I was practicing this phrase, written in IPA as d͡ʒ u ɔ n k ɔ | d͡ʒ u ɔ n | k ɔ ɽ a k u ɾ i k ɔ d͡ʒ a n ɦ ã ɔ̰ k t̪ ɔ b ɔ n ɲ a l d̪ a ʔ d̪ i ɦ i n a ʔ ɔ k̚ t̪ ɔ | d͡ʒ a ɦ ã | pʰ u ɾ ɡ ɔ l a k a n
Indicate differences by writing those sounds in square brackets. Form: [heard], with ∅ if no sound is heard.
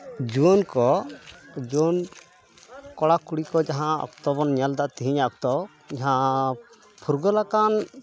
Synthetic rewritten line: d͡ʒ u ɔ n k ɔ | d͡ʒ u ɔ n | k ɔ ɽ a k u [ɽ] i k ɔ d͡ʒ a [∅] ɦ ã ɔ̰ k t̪ ɔ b ɔ n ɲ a l d̪ a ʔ [t̪] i ɦ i [ɲ] a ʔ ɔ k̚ t̪ ɔ | d͡ʒ a ɦ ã | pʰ u ɾ ɡ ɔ l a k a n